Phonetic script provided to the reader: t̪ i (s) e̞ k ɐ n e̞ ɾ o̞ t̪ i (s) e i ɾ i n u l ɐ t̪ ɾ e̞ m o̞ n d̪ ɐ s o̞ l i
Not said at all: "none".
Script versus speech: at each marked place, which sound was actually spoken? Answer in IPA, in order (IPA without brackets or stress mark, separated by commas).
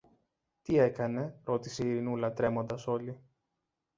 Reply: none, s